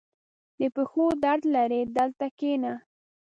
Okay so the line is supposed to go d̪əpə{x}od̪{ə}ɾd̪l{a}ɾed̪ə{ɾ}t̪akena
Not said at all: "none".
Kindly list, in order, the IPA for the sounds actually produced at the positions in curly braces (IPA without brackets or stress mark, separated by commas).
x, a, a, l